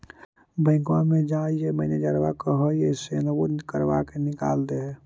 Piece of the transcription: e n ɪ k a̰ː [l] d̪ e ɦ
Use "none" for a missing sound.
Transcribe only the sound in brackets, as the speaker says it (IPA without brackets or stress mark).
l